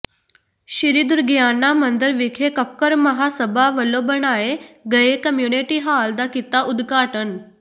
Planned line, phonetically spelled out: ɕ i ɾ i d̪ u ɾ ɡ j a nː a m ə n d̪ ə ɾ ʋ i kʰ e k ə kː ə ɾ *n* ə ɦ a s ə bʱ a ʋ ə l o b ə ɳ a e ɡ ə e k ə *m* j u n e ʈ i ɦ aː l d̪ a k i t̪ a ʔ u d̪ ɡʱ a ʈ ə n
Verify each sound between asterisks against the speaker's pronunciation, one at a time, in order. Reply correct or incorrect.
incorrect: m, correct

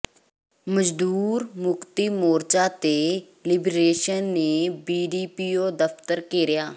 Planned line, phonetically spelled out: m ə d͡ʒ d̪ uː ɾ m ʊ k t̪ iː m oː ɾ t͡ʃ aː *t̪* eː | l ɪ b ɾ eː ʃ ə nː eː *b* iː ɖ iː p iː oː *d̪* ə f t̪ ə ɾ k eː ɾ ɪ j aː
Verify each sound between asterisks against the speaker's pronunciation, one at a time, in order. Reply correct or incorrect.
correct, correct, correct

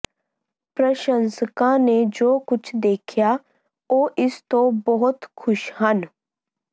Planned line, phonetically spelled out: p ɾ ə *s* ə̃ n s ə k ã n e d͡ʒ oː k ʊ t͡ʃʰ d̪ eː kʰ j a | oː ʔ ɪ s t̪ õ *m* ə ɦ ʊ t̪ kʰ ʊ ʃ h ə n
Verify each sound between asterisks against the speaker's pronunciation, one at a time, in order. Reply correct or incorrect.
incorrect: ʃ, incorrect: b

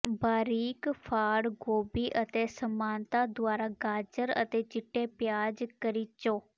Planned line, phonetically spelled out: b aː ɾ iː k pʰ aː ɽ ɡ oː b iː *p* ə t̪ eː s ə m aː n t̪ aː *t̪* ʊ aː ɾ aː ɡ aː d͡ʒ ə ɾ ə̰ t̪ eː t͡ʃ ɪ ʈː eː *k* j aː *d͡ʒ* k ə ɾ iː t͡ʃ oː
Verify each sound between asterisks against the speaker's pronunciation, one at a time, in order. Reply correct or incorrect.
incorrect: ʔ, incorrect: d̪, incorrect: p, correct

